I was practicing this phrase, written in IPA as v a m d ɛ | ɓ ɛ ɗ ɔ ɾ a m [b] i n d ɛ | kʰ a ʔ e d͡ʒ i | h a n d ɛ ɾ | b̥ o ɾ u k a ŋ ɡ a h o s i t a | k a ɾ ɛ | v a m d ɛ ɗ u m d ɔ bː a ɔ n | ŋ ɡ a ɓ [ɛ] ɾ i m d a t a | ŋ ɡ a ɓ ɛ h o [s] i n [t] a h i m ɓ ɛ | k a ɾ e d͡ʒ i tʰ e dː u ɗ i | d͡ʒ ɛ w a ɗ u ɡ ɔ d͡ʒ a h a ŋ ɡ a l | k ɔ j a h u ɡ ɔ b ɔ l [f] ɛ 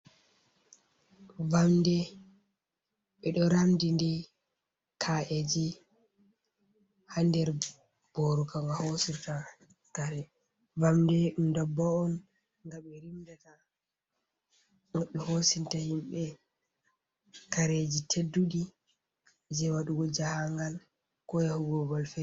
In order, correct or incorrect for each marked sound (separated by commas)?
incorrect, correct, correct, correct, correct